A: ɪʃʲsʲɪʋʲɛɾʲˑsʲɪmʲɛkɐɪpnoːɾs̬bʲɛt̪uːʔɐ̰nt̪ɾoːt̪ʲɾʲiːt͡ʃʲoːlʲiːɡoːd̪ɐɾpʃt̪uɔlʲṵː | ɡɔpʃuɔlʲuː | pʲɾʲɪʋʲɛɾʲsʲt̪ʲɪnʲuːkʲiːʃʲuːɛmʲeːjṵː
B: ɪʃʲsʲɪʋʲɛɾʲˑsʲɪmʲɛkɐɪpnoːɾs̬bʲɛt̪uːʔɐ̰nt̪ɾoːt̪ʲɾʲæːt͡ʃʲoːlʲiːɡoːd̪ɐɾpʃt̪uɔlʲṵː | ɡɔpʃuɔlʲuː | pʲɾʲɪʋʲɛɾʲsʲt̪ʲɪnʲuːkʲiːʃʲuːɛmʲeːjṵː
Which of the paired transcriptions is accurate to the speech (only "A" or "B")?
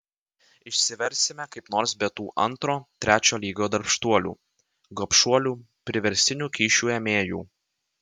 B